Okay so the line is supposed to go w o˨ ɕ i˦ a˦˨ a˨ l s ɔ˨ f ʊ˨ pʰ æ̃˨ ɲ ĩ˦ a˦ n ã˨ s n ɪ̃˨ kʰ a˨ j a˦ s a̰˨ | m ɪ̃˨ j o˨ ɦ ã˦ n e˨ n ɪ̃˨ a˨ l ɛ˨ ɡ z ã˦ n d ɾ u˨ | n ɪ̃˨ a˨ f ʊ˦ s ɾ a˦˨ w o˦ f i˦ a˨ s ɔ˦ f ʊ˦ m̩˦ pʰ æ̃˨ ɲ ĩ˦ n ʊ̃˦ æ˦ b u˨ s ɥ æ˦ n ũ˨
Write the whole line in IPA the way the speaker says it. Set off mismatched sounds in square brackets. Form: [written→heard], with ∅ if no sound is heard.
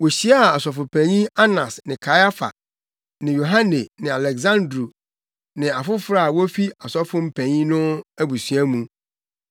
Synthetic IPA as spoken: w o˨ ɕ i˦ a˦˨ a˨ [l→∅] s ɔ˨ f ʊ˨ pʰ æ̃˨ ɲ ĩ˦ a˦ n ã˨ s n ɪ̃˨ kʰ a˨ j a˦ [s→f] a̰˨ | [m→n] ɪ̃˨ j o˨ ɦ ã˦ n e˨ n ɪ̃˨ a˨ l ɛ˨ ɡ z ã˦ n d ɾ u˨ | n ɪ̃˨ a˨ f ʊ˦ [s→f] ɾ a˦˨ w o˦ f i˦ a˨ s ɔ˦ f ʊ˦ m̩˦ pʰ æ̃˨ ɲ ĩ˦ n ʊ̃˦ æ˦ b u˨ s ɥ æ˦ [n→m] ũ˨